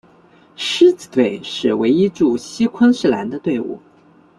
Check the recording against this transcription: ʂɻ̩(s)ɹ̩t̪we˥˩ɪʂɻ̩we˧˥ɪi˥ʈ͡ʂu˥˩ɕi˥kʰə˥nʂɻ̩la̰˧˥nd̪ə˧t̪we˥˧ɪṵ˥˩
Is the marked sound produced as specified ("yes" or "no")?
no